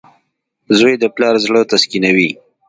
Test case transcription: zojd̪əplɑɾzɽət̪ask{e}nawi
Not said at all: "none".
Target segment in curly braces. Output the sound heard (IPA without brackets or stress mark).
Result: i